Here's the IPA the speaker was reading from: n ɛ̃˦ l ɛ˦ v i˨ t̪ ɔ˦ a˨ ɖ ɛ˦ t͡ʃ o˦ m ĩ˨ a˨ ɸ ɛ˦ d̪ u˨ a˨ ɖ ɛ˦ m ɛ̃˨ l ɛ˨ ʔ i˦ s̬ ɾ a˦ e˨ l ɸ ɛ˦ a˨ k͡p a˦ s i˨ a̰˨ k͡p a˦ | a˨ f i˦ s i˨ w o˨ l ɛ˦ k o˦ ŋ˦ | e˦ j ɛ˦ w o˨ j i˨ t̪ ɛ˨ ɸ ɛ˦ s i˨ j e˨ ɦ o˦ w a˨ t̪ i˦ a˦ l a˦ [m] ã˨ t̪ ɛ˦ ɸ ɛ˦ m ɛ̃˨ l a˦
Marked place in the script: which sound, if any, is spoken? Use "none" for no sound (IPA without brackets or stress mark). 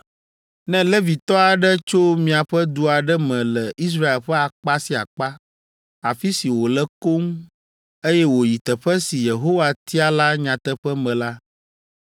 ɲ